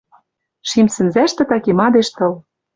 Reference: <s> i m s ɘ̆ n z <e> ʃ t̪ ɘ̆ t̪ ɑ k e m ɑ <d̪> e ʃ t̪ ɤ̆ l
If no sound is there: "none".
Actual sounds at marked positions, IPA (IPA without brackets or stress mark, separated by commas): ʃ, æ, d̪